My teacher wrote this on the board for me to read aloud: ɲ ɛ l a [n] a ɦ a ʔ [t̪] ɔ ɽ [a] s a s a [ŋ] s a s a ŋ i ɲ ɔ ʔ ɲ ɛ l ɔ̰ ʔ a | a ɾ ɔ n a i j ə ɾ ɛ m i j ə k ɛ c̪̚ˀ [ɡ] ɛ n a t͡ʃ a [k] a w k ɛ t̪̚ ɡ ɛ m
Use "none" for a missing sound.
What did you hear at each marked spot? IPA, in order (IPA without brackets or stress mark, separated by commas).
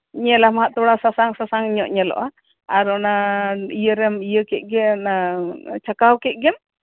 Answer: m, t̪, a, ŋ, ɡ, k